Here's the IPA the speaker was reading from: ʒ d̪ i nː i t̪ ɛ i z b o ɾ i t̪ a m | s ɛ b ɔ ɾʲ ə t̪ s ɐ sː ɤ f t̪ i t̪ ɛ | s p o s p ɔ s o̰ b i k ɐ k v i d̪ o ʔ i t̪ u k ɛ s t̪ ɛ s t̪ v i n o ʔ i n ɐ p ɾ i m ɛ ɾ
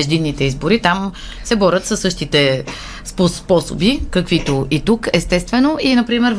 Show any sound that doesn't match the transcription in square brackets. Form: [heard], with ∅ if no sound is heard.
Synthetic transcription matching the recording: ʒ d̪ i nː i t̪ ɛ i z b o ɾ i t̪ a m | s ɛ b ɔ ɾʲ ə t̪ s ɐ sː ɤ [ʃ] t̪ i t̪ ɛ | s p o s p ɔ s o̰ b i k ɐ k v i [t̪] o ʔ i t̪ u k ɛ s t̪ ɛ s t̪ v [ɛ] n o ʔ i n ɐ p ɾ i m ɛ ɾ